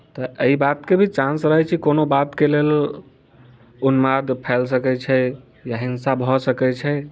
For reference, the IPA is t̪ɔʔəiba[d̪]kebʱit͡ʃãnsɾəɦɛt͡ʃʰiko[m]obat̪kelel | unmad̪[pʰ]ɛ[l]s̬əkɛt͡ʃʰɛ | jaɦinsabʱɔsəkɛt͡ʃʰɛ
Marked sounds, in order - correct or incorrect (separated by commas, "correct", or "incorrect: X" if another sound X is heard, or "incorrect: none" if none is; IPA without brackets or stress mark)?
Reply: incorrect: t̪, incorrect: n, correct, correct